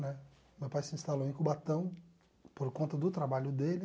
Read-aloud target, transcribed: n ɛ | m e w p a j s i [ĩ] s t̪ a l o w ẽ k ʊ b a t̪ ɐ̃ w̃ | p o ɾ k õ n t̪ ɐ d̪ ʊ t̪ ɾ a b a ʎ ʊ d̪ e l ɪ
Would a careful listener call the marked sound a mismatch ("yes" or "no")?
no